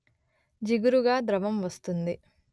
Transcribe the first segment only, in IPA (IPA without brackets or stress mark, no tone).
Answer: d͡ʒ